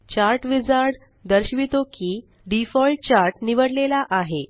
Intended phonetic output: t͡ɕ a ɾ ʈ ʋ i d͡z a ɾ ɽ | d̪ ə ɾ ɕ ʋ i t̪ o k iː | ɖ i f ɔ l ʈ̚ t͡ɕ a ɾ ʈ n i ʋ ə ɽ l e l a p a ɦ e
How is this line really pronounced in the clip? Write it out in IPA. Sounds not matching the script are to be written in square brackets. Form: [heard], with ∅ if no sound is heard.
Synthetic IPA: t͡ɕ a ɾ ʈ ʋ i d͡z a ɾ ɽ | d̪ ə ɾ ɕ ʋ i t̪ o k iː | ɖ i f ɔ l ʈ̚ t͡ɕ a ɾ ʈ n i ʋ ə ɽ l e l a [ʔ] a ɦ e